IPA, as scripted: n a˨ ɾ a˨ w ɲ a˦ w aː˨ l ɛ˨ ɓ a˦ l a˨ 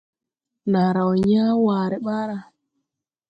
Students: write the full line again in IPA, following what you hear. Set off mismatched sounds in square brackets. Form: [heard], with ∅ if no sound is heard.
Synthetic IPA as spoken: n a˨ ɾ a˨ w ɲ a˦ w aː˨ [ɾ] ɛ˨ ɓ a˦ [ɾ] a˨